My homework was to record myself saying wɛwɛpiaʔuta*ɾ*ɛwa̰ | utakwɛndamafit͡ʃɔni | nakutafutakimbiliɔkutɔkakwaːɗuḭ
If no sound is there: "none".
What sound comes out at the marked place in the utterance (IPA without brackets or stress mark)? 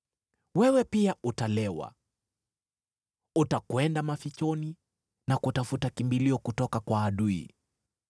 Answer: l